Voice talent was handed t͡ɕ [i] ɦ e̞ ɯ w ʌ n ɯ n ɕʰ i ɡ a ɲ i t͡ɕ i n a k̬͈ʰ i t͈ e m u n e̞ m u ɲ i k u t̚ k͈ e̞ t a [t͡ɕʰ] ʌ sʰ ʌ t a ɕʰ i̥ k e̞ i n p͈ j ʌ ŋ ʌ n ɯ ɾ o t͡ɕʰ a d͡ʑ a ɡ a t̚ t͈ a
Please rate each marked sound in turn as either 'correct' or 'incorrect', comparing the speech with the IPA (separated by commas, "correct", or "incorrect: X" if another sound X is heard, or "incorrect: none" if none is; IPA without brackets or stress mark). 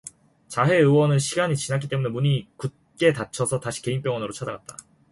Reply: incorrect: a, correct